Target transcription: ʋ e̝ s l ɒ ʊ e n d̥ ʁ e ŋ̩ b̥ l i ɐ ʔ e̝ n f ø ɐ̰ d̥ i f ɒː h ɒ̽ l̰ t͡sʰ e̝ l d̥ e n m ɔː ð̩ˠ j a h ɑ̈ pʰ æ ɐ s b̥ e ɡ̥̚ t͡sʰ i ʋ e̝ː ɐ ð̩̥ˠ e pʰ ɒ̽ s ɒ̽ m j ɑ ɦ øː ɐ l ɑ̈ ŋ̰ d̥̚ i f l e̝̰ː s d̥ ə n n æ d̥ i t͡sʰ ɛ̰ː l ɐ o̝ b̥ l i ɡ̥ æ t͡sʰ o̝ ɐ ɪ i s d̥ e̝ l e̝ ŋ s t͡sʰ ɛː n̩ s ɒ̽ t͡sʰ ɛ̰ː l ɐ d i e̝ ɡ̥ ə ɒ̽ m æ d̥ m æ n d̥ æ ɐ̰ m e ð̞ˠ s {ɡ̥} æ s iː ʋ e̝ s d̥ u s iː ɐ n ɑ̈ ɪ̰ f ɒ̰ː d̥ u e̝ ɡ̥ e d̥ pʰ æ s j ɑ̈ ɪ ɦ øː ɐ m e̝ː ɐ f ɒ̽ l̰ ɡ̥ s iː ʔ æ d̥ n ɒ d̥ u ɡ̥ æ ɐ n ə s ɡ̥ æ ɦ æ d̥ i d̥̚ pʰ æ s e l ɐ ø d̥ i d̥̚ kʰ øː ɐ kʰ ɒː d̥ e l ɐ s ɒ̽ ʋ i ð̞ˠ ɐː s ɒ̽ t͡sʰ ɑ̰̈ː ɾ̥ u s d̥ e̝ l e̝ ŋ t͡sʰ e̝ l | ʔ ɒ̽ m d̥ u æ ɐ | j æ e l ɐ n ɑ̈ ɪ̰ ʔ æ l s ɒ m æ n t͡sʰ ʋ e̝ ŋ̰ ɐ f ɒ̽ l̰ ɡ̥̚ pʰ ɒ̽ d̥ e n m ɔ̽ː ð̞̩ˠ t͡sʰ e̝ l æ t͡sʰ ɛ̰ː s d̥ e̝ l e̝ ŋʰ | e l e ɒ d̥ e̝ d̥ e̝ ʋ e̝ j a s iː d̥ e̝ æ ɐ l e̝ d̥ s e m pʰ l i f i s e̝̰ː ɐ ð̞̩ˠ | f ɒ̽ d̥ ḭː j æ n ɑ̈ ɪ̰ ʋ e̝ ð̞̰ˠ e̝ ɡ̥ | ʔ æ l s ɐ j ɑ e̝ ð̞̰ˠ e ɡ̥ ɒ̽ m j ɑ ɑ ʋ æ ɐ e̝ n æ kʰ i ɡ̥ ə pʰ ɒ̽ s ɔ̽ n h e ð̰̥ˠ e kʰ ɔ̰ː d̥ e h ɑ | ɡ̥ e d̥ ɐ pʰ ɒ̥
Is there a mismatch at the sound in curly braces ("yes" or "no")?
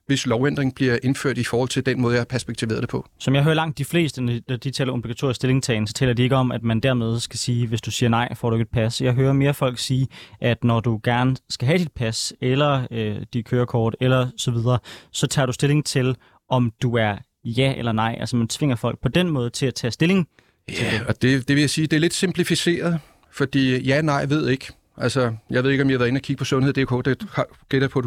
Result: no